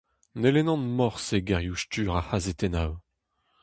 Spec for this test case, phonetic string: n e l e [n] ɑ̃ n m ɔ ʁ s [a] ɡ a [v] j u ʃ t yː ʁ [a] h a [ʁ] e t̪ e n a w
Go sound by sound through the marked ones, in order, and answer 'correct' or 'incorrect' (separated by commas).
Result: correct, incorrect, incorrect, correct, incorrect